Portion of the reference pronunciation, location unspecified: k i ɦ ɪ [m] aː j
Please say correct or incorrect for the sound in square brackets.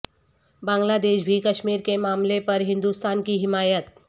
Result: correct